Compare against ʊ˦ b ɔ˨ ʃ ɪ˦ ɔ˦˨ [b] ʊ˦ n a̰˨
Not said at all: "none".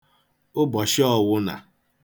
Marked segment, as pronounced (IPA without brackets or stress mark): w